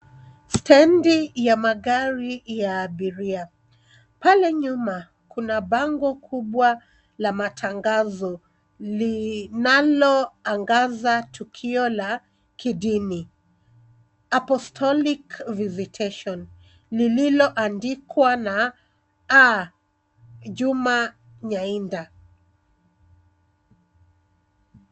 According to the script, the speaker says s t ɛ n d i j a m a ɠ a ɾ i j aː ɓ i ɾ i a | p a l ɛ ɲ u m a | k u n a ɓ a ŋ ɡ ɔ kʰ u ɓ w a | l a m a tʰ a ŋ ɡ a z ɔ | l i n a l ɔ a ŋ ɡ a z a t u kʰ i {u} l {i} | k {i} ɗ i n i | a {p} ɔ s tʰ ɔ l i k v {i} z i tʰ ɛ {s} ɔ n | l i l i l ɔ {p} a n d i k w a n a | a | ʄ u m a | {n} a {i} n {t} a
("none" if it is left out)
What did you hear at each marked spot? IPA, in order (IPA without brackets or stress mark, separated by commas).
ɔ, a, i, p, i, ʃ, ʔ, ɲ, i, d